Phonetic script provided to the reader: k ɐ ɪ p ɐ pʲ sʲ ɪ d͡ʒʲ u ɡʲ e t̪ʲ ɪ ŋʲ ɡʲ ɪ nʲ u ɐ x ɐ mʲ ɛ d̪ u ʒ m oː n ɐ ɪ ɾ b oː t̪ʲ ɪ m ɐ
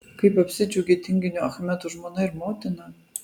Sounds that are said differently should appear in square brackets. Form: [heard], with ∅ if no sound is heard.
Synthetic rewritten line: k ɐ ɪ p ɐ pʲ sʲ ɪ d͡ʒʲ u ɡʲ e t̪ʲ ɪ ŋʲ ɡʲ ɪ nʲ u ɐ x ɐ mʲ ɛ [t̪] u ʒ m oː n ɐ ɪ ɾ [m] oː t̪ʲ ɪ [n] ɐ